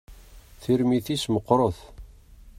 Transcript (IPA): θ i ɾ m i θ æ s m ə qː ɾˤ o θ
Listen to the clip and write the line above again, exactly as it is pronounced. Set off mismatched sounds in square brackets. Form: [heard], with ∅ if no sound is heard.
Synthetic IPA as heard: θ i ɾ m i θ [i] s m ə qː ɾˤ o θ